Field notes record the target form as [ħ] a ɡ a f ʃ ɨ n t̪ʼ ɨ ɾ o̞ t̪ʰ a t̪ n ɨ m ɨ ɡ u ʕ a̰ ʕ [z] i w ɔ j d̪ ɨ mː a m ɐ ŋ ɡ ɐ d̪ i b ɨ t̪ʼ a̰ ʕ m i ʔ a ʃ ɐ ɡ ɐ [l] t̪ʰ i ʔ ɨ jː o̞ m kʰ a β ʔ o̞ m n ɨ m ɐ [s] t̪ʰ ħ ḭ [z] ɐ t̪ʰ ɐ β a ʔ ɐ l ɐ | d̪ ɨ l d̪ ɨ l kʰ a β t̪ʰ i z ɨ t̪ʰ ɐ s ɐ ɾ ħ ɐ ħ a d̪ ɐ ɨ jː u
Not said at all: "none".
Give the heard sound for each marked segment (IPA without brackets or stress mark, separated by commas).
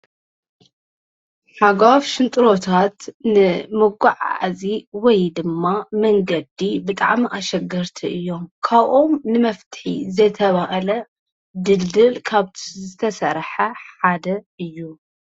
ħ, z, ɾ, f, z